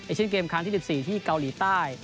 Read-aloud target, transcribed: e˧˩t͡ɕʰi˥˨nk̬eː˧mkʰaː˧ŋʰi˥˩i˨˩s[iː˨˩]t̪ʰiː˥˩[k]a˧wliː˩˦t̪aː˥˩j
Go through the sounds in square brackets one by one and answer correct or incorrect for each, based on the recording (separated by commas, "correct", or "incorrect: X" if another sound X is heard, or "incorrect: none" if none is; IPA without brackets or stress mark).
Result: correct, correct